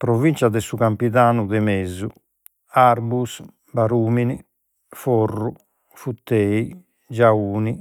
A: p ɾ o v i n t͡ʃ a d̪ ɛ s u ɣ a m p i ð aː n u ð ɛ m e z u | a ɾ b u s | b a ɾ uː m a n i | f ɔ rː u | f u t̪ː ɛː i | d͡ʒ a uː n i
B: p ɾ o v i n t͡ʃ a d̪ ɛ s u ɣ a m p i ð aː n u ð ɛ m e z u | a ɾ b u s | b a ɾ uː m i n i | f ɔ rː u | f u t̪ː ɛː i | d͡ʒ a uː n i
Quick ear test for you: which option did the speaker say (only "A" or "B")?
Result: B